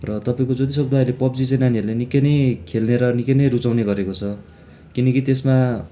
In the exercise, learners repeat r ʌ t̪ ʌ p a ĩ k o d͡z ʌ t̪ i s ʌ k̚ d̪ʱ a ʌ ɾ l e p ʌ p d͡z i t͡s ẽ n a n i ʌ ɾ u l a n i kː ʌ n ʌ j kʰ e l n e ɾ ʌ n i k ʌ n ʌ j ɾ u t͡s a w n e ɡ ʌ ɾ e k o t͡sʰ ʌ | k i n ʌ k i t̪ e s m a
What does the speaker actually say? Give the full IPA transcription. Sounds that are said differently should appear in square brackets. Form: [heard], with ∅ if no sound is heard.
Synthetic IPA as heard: r ʌ t̪ ʌ p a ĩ k o d͡z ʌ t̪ i s ʌ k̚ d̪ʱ a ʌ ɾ l e p ʌ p d͡z i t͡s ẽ n a n i ʌ ɾ u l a n i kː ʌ n ʌ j kʰ e l n e ɾ ʌ n i k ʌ n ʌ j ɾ u t͡s a w n e ɡ ʌ ɾ e k o t͡sʰ ʌ | k i n ʌ k i t̪ e s m a